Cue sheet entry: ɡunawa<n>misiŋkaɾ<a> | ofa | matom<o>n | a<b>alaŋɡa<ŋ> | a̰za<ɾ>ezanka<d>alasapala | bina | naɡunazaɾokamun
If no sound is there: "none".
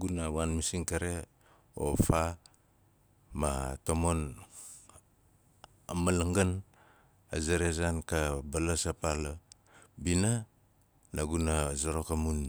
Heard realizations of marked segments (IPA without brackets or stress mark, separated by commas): n, e, o, m, n, ɾ, b